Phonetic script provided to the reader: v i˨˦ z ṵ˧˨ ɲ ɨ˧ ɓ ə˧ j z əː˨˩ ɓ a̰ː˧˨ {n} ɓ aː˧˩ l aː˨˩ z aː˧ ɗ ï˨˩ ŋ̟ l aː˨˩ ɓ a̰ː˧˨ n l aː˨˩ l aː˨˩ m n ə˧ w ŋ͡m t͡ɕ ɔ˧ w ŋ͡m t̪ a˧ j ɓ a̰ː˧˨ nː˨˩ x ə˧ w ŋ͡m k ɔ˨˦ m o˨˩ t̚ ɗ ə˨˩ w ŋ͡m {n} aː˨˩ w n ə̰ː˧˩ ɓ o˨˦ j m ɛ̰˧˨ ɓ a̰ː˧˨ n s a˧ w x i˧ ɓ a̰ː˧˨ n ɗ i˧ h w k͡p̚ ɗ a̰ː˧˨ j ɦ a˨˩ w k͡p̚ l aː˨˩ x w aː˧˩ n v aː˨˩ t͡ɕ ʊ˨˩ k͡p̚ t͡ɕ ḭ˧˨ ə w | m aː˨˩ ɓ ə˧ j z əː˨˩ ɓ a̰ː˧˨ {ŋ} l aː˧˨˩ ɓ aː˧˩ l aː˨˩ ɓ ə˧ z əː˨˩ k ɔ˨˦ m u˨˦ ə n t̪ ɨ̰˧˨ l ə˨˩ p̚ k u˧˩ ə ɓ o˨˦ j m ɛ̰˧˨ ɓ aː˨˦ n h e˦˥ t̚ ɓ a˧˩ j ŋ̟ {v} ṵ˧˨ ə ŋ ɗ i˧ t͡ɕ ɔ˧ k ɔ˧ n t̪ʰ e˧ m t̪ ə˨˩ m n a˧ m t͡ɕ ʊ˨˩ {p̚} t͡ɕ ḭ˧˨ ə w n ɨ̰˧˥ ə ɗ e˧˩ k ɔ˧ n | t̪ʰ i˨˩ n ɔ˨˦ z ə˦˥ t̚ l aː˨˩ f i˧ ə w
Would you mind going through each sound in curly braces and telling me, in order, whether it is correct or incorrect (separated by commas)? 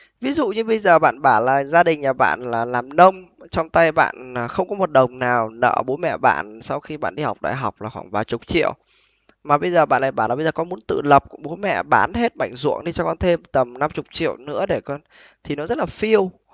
correct, correct, incorrect, incorrect, incorrect